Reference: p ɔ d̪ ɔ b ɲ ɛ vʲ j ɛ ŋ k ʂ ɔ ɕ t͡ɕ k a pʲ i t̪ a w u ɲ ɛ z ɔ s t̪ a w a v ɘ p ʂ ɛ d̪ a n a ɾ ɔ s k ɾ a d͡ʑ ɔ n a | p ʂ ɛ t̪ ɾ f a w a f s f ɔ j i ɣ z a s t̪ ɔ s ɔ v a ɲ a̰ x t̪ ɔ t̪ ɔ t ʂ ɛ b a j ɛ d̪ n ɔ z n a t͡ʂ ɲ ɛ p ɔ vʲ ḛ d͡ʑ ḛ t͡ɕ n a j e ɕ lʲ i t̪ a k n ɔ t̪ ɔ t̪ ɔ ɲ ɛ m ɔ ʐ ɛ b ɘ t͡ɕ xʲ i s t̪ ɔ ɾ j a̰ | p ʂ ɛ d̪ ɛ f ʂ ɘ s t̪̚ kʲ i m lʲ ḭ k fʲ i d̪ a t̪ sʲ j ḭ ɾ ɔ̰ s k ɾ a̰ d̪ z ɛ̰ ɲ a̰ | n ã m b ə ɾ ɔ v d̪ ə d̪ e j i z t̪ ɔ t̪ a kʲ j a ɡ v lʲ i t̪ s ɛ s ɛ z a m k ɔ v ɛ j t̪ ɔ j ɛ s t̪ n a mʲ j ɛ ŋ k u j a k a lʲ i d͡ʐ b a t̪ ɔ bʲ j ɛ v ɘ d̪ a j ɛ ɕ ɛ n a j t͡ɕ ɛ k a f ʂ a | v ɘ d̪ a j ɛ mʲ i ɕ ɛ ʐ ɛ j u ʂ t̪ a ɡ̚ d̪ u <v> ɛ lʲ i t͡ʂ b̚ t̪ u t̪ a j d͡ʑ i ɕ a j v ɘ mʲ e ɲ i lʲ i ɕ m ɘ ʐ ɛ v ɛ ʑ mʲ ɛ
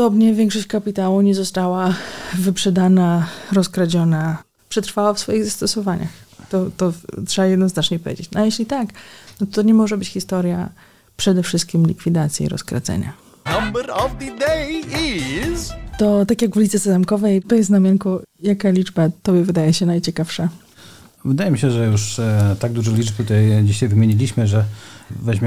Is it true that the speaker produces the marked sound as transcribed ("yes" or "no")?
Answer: no